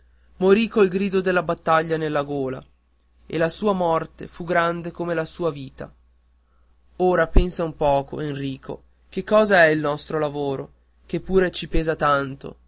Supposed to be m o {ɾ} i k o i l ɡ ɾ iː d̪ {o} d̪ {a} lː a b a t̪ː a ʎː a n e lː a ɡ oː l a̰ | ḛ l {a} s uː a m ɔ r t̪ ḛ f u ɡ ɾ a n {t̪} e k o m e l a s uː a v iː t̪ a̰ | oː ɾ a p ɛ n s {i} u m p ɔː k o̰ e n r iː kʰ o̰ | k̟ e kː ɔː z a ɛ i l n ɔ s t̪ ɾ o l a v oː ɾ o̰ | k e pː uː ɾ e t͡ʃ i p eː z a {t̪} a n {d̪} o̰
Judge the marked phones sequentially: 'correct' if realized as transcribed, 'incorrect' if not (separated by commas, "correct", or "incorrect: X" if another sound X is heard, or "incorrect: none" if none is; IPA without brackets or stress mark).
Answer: correct, correct, incorrect: e, correct, incorrect: d̪, incorrect: a, correct, incorrect: t̪